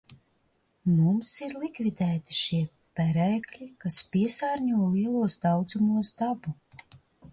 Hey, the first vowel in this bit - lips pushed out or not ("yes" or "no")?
yes